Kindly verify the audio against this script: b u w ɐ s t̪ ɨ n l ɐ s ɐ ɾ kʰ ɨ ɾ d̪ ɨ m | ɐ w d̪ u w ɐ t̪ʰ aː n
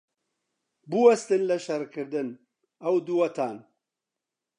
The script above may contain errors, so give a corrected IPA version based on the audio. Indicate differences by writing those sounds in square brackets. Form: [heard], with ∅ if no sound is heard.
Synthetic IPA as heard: b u w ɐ s t̪ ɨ n l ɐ [ʃ] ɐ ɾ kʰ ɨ ɾ d̪ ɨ [n] | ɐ w d̪ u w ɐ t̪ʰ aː n